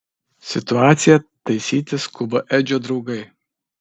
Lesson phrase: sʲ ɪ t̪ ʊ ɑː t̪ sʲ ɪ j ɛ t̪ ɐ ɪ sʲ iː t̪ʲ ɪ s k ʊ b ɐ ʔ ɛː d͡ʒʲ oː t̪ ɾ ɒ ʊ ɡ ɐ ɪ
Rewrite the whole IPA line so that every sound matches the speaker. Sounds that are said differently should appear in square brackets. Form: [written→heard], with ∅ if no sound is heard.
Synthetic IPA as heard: sʲ ɪ t̪ ʊ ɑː t̪ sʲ ɪ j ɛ t̪ ɐ ɪ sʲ iː t̪ʲ ɪ s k ʊ b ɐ ʔ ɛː d͡ʒʲ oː [t̪→d̪] ɾ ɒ ʊ ɡ ɐ ɪ